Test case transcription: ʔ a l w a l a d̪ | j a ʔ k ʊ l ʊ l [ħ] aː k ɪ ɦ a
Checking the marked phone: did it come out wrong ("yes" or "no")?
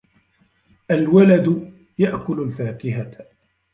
yes